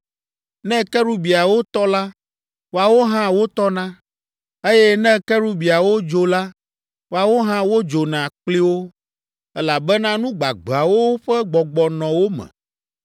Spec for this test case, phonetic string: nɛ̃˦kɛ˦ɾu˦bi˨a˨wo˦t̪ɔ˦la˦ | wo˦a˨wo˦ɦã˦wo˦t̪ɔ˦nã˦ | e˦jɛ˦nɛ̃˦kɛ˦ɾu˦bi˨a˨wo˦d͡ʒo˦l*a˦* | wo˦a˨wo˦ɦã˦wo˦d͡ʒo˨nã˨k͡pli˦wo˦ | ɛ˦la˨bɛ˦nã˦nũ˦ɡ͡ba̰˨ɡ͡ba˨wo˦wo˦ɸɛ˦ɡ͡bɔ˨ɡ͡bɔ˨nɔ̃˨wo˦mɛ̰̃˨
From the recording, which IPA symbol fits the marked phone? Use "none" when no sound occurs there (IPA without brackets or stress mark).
a˦